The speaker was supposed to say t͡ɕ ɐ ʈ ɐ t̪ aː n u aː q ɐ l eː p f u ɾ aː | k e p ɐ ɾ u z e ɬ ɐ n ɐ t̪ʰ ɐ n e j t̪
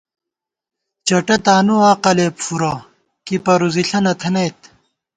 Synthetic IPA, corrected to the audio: t͡ɕ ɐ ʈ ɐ t̪ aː n u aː q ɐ l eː p f u ɾ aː | k i p ɐ ɾ u z i ɬ ɐ n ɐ t̪ʰ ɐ n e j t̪